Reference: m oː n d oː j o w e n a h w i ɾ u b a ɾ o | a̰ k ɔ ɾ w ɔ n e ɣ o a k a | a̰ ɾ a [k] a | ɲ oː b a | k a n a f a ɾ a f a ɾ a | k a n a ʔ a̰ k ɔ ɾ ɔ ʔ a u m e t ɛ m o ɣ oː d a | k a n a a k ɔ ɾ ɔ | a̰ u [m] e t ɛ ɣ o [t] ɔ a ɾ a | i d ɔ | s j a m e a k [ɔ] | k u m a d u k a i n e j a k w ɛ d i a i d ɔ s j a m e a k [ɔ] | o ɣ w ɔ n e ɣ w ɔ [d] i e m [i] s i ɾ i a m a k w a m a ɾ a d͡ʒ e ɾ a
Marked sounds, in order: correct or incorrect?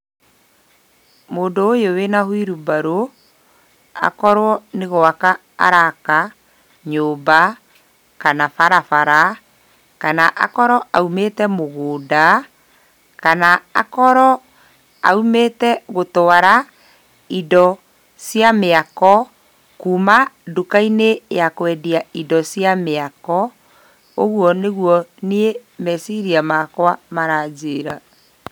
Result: correct, correct, correct, correct, correct, incorrect: n, incorrect: ɛ

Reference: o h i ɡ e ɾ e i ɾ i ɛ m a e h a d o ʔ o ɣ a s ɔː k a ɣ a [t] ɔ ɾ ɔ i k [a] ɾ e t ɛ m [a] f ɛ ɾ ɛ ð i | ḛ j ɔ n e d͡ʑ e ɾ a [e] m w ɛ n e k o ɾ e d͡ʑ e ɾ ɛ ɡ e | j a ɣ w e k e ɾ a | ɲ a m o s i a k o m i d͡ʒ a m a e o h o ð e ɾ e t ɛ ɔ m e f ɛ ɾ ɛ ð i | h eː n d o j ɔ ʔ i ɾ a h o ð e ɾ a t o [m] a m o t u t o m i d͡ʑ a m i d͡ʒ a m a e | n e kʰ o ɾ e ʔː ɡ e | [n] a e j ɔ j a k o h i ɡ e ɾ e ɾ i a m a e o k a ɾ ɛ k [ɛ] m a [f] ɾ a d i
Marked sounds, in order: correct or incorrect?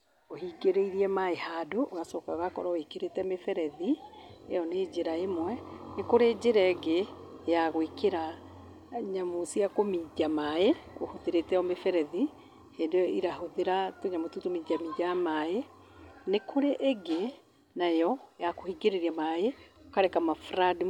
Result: incorrect: k, incorrect: e, incorrect: e, correct, incorrect: ɲ, correct, incorrect: a, correct

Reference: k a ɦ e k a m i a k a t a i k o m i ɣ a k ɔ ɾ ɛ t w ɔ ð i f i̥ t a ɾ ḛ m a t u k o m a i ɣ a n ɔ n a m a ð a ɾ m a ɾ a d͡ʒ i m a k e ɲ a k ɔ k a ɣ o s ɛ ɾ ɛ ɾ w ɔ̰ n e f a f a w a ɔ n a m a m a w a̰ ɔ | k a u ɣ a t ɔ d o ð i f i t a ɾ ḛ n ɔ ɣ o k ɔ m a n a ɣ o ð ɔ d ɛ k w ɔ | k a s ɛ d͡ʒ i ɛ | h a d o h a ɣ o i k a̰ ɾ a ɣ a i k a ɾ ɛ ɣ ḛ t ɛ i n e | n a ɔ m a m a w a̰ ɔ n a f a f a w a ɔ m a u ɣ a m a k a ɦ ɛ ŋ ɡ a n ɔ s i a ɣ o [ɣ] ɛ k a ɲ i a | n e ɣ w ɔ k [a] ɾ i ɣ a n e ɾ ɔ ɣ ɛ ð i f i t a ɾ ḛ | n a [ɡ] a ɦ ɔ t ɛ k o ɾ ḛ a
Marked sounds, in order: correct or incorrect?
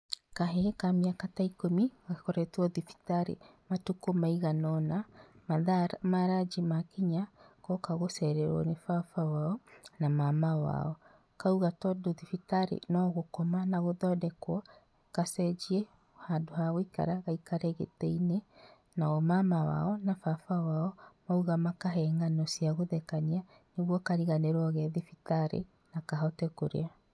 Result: incorrect: ð, correct, incorrect: k

